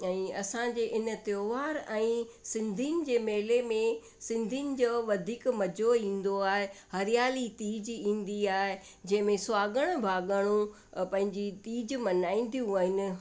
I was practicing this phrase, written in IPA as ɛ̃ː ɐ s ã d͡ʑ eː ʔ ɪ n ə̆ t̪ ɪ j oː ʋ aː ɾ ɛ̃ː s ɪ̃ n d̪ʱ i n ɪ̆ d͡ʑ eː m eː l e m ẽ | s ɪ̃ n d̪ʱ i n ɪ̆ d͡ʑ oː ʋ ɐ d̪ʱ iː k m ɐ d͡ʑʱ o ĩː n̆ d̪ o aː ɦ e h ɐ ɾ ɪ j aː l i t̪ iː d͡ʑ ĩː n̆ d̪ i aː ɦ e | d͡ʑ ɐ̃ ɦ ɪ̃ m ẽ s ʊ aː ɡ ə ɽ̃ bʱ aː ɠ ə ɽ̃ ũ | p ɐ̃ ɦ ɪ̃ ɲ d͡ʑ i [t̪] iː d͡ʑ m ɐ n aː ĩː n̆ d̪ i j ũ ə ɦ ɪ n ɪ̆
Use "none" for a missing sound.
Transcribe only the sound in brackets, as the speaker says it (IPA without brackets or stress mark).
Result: t̪